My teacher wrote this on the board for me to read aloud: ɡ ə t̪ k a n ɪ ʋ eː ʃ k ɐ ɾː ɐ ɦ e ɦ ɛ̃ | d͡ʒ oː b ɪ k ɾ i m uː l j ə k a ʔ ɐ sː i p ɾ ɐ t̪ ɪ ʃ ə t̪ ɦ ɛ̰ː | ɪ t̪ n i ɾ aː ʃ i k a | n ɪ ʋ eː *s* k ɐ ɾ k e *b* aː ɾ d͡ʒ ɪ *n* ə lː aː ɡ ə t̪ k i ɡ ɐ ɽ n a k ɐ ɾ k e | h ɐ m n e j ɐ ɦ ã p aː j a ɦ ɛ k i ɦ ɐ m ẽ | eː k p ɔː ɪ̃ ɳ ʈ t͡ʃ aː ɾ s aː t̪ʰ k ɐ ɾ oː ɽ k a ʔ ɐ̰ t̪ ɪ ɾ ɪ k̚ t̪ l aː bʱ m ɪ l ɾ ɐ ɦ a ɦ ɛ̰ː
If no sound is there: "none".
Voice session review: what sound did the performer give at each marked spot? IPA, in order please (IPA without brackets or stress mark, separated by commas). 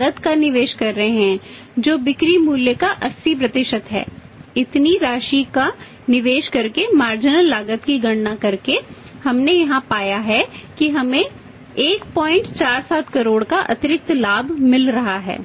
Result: ʃ, m, n